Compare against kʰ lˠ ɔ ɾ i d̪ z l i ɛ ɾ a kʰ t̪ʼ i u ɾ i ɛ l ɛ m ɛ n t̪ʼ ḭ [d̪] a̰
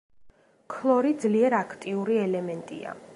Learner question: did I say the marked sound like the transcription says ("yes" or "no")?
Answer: no